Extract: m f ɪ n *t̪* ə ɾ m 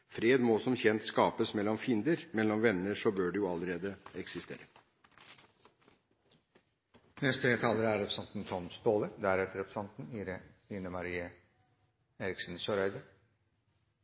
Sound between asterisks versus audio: incorrect: d̪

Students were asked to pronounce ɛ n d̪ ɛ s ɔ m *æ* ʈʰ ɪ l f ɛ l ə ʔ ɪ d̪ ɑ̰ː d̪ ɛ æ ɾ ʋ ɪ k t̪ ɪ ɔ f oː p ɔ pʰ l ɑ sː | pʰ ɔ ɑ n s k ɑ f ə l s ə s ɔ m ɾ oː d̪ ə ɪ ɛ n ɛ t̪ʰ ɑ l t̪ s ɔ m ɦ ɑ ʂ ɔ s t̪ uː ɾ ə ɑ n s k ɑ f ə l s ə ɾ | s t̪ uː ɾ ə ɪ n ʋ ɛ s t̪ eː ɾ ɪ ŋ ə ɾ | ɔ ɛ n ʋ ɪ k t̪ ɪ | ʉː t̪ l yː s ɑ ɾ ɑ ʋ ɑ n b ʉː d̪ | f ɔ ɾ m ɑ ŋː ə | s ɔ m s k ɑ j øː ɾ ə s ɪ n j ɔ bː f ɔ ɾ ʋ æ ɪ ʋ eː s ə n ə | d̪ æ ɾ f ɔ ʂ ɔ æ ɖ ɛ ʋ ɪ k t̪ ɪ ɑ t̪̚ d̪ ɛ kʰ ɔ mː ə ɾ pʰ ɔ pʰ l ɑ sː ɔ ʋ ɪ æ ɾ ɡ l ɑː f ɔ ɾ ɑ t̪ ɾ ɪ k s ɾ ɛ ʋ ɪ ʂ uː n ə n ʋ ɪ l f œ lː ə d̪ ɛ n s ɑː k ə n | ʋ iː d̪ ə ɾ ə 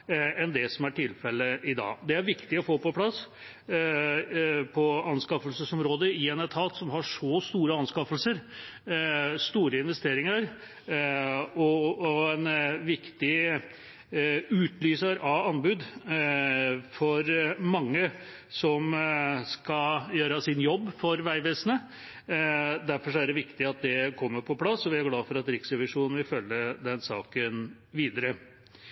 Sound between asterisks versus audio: correct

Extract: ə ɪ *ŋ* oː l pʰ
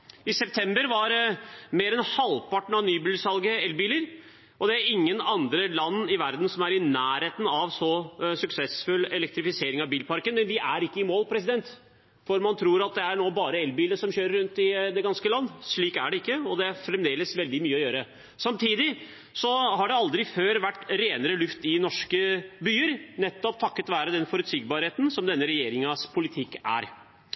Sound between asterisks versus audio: incorrect: m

